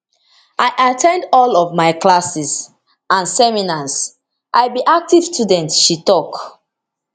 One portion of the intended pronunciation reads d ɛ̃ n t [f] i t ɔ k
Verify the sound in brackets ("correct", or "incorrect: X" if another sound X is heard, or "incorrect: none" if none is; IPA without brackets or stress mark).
incorrect: ʃ